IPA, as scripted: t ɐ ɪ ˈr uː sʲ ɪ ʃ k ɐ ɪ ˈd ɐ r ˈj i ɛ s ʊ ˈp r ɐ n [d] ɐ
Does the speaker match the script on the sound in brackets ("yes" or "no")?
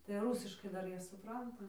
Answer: no